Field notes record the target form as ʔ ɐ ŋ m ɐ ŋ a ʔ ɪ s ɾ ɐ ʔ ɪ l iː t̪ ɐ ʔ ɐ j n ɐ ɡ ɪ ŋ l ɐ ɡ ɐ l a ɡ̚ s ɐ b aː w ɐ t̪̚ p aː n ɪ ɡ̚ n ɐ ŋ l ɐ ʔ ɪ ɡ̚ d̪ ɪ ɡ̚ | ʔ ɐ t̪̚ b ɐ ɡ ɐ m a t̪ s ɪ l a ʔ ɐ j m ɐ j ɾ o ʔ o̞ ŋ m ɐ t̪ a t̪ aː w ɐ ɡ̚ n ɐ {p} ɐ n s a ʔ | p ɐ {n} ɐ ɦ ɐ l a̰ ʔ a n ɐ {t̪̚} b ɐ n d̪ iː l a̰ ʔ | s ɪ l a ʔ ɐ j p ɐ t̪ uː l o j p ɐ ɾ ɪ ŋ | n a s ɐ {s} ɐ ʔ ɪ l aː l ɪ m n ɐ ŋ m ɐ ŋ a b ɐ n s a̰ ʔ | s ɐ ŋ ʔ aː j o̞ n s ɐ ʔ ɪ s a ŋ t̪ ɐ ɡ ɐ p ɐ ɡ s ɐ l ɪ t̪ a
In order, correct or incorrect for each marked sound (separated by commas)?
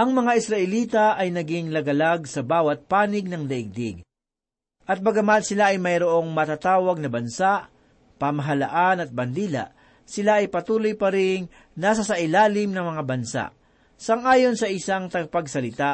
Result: incorrect, incorrect, correct, correct